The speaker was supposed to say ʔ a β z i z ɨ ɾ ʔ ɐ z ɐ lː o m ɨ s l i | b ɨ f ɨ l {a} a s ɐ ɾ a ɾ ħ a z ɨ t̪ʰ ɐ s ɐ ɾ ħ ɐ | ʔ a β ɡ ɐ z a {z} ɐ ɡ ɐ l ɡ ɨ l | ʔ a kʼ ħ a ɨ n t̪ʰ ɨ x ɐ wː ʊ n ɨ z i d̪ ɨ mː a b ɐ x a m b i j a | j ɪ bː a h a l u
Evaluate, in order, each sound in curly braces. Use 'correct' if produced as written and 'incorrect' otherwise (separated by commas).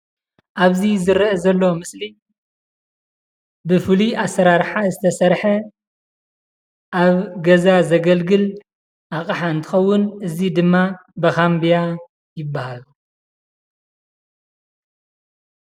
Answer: incorrect, correct